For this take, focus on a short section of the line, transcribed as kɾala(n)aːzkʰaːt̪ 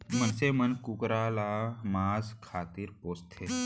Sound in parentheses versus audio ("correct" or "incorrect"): incorrect